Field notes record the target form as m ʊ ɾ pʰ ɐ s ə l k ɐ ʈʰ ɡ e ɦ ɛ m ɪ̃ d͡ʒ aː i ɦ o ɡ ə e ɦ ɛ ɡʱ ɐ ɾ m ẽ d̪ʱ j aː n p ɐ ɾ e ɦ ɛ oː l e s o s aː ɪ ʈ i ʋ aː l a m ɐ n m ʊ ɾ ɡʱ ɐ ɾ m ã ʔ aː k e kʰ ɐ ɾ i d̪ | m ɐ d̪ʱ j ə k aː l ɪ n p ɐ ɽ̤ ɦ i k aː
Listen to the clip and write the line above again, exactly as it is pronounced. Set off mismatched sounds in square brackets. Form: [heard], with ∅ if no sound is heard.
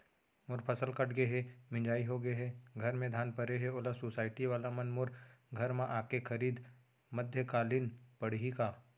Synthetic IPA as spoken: m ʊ ɾ pʰ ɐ s ə l k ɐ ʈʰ ɡ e ɦ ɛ m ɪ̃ d͡ʒ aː i ɦ o ɡ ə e ɦ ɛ ɡʱ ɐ ɾ m ẽ d̪ʱ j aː n p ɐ ɾ e ɦ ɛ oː l [a] s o s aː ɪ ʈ i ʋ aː l a m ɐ n m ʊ ɾ ɡʱ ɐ ɾ m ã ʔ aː k e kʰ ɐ ɾ [iː] d̪ | m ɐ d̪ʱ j ə k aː l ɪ n p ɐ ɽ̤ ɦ i k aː